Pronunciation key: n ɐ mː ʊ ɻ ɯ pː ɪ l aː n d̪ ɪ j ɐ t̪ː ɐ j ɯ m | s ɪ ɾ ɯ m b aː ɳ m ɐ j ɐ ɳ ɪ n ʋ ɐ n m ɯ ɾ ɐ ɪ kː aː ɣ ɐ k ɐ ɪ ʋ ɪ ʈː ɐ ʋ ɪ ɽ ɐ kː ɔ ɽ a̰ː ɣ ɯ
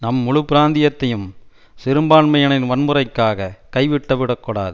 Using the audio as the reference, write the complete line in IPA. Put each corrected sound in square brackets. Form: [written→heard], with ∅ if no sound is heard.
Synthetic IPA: n ɐ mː ʊ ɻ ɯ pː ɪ [l→ɾ] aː n d̪ ɪ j ɐ t̪ː ɐ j ɯ m | s ɪ ɾ ɯ m b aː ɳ m ɐ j ɐ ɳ ɪ n ʋ ɐ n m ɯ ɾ ɐ ɪ kː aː ɣ ɐ k ɐ ɪ ʋ ɪ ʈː ɐ ʋ ɪ ɽ ɐ kː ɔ ɽ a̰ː [ɣ→ð] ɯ